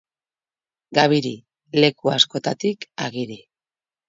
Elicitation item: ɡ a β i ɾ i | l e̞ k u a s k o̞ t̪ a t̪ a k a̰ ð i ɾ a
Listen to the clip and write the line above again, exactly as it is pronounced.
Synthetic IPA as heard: ɡ a β i ɾ i | l e̞ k u a s k o̞ t̪ a t̪ i k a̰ ɣ i ɾ i